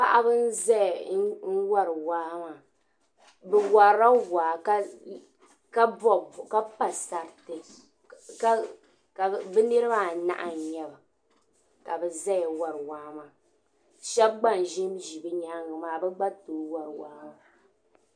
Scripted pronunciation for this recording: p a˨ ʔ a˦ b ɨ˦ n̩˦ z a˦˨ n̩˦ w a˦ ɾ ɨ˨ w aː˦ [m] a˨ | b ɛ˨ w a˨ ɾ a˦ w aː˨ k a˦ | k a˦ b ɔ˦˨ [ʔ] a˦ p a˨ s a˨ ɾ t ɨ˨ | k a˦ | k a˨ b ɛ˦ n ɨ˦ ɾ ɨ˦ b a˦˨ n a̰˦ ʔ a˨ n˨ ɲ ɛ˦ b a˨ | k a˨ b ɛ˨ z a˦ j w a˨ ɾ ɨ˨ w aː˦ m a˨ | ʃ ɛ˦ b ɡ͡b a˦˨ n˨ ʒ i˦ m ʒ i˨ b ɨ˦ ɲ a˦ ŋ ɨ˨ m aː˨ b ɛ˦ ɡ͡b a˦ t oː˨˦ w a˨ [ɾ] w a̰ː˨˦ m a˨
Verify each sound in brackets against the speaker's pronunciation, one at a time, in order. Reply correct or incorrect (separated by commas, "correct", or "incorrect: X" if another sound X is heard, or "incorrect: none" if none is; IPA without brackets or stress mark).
correct, incorrect: k, correct